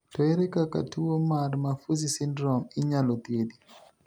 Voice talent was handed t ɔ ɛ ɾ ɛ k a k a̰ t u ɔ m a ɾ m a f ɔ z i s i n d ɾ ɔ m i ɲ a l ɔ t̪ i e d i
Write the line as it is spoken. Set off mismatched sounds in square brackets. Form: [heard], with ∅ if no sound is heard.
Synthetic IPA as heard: t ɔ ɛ ɾ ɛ k a k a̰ t u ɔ m a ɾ m a f [u] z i s i n d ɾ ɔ m i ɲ a l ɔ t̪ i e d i